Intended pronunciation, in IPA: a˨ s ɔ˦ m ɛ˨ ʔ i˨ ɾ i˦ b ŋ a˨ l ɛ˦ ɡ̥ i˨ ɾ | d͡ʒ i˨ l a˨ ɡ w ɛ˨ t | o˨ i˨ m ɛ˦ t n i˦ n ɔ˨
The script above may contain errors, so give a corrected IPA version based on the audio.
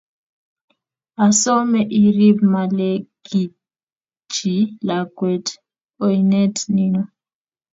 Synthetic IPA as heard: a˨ s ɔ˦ m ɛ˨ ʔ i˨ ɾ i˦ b m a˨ l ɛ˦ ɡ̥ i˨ | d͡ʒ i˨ l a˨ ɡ w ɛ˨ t | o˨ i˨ n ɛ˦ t n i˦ n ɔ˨

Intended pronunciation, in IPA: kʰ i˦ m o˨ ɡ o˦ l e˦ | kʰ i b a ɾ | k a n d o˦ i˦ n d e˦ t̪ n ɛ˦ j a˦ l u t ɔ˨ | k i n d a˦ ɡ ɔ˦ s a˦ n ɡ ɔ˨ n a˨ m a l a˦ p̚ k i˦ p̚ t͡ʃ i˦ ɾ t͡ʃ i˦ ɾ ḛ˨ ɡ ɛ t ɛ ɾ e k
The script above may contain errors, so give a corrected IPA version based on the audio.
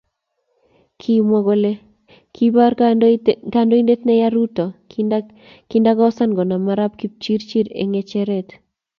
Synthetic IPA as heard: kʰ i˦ m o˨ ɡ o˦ l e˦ | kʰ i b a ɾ | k a n d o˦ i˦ n d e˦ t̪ n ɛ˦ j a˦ ɾ u t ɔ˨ | k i n d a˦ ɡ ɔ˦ s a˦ n ɡ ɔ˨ n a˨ m a ɾ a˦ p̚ k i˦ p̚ t͡ʃ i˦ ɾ t͡ʃ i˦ ɾ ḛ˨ ŋ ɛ t͡ʃ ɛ ɾ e t

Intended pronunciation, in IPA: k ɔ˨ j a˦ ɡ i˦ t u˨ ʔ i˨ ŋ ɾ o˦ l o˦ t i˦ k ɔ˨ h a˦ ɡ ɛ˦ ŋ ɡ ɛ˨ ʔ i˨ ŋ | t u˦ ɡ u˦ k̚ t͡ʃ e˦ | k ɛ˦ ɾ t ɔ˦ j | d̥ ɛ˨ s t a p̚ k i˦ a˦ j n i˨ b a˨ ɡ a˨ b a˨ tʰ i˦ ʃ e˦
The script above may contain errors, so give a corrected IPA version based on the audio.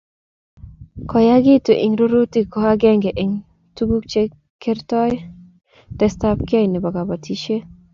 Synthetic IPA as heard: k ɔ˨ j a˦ ɡ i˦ t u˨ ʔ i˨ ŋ ɾ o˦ ɾ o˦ t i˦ k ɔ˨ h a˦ ɡ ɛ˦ ŋ ɡ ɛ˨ ʔ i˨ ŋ | t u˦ ɡ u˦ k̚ t͡ʃ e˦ | k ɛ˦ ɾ t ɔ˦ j | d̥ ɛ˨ s t a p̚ k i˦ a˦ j n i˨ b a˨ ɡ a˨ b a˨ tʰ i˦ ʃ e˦

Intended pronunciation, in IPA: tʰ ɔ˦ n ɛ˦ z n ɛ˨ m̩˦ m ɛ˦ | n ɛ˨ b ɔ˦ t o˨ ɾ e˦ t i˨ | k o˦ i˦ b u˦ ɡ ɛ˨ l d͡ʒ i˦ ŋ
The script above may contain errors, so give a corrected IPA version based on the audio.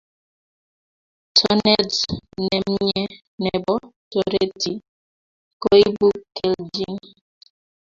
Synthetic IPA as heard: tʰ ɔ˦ n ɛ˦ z n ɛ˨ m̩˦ ɲ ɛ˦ | n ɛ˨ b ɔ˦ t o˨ ɾ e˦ t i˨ | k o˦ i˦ b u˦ k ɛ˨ l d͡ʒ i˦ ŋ

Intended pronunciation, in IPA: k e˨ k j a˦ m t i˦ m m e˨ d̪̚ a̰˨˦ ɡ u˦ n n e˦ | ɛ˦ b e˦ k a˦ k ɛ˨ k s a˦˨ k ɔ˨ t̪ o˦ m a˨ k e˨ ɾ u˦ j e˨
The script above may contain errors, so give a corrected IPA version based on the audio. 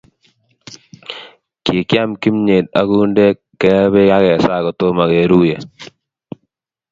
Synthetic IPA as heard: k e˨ k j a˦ m k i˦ m ɲ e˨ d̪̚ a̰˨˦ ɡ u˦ n d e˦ | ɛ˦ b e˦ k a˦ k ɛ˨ s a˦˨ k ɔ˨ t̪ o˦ m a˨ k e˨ ɾ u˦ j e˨

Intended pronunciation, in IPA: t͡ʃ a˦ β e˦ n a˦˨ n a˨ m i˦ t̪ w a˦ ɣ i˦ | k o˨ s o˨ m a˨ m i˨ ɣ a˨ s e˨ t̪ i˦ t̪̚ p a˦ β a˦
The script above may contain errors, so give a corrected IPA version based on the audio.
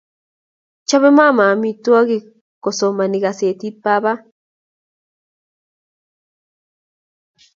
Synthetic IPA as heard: t͡ʃ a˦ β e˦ m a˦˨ m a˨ m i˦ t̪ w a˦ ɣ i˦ | k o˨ s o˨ m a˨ n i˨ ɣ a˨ s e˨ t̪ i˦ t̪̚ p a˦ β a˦

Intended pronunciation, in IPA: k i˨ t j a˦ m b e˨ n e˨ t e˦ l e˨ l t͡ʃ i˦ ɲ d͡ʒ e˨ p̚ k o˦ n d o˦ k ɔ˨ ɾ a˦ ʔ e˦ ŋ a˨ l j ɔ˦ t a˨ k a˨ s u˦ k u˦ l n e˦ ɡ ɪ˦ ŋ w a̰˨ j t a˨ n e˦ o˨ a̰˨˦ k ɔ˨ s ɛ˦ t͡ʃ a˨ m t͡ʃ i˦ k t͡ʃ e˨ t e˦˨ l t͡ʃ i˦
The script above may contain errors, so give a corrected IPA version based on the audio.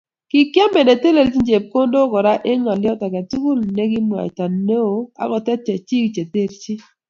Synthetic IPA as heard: k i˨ k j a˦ m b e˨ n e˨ t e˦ l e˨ l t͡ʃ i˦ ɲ d͡ʒ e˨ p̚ k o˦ n d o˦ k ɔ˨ ɾ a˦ ʔ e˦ ŋ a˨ l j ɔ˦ t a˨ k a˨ t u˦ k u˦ l n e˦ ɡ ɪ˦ m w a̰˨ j t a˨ n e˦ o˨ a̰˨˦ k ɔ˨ t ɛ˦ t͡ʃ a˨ t͡ʃ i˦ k t͡ʃ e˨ t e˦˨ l t͡ʃ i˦

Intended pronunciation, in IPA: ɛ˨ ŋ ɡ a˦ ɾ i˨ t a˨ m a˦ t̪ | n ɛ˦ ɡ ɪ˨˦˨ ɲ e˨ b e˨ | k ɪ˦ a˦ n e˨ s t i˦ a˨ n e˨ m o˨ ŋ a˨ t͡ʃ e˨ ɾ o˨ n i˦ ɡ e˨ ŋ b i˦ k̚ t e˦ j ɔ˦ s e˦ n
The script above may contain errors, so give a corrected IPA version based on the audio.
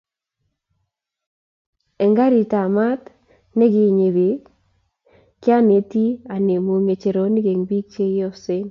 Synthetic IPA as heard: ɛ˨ ŋ ɡ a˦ ɾ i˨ t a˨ m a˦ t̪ | n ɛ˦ ɡ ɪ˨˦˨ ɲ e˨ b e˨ | k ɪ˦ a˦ n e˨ t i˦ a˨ n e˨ m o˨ ŋ e˨ t͡ʃ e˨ ɾ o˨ n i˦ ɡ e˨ ŋ b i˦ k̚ t͡ʃ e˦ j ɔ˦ s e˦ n

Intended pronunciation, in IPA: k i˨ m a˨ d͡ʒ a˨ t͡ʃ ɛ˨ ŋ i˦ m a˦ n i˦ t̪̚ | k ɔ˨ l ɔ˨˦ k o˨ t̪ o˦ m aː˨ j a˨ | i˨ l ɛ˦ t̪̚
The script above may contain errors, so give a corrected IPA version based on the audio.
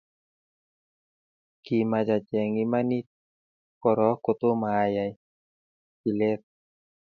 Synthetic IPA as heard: k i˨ m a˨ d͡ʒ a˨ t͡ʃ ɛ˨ ŋ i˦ m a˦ n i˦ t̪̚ | k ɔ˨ ɾ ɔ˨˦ k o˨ t̪ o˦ m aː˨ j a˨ | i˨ l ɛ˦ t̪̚

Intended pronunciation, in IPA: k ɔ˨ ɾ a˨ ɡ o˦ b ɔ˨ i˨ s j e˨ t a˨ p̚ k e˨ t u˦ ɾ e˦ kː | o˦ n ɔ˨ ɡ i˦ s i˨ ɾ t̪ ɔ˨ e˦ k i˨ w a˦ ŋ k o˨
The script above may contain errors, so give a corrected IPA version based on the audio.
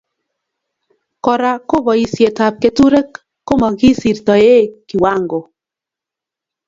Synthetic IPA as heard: k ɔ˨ ɾ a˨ k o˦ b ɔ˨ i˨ s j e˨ t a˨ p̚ k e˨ t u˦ ɾ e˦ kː | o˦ m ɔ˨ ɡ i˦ s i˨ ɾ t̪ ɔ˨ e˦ k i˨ w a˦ ŋ ɡ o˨

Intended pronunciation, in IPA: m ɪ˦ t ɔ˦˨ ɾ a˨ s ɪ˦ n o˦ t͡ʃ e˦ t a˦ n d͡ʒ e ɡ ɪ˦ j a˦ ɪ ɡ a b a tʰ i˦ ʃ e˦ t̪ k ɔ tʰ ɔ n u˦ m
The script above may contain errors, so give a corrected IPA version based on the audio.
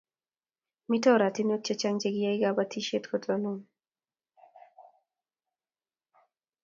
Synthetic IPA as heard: m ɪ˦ t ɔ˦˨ ɾ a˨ t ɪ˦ n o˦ t͡ʃ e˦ t͡ʃ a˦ ŋ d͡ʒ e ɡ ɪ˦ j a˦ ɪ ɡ a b a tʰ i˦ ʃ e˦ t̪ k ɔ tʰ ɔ n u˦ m

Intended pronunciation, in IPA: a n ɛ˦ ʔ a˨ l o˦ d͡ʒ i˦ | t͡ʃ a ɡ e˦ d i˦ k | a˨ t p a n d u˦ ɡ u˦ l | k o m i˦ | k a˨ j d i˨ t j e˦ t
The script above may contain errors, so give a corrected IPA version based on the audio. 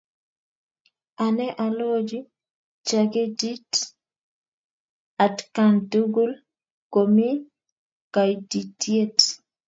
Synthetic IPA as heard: a n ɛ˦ ʔ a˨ l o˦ d͡ʒ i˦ | t͡ʃ a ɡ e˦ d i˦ t | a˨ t k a n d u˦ ɡ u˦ l | k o m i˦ | k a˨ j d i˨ t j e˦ t

